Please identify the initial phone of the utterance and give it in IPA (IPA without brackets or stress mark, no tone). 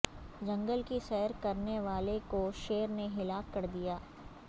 d͡ʒ